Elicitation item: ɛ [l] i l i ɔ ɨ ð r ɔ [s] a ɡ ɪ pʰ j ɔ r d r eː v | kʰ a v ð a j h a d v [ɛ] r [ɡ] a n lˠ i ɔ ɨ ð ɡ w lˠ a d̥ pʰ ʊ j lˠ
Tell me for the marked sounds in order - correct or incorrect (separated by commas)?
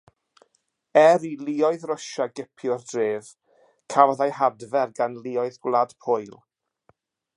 incorrect, incorrect, correct, correct